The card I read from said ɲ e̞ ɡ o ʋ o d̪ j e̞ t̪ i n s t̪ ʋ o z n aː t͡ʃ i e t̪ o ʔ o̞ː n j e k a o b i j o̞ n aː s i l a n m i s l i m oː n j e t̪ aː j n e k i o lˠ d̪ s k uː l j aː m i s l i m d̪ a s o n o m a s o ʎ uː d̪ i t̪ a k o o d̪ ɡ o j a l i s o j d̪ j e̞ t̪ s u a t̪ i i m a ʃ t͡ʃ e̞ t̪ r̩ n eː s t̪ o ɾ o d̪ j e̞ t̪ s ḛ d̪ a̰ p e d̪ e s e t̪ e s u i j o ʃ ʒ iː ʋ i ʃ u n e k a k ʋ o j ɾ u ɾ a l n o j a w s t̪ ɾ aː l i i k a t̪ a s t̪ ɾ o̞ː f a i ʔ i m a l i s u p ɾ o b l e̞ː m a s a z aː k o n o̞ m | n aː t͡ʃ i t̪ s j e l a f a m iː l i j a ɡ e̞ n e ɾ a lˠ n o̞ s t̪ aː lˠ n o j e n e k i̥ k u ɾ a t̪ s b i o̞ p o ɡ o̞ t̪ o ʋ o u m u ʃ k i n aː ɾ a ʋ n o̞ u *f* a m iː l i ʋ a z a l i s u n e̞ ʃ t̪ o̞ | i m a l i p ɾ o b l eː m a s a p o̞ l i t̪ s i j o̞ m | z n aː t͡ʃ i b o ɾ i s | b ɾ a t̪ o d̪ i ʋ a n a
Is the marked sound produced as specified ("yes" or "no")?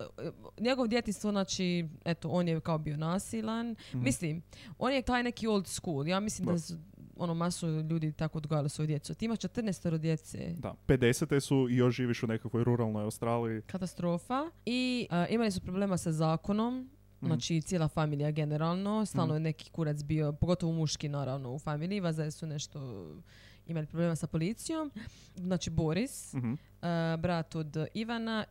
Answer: yes